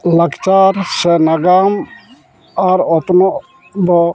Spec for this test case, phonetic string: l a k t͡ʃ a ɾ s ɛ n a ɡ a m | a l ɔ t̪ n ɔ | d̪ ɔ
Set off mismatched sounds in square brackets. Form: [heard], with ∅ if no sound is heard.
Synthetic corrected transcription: l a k t͡ʃ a ɾ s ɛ n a ɡ a m | a [ɾ] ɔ t̪ n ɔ | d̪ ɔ